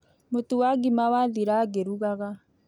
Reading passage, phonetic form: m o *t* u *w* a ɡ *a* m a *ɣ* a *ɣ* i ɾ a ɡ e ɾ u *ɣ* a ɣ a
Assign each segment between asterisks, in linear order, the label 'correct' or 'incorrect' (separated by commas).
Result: correct, correct, incorrect, incorrect, incorrect, correct